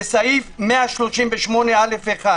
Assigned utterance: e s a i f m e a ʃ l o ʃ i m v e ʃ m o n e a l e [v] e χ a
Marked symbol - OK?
no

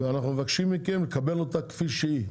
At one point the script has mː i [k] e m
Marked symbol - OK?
yes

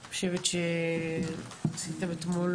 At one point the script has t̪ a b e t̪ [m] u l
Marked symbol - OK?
yes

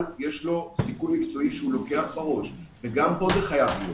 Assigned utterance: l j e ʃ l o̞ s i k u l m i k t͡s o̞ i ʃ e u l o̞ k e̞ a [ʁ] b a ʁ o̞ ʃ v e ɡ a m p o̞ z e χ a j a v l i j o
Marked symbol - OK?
no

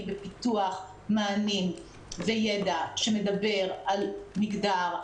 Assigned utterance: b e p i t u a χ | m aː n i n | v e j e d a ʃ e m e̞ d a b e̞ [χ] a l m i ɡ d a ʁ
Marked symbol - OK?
no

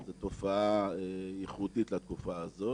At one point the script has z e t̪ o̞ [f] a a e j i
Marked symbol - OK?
yes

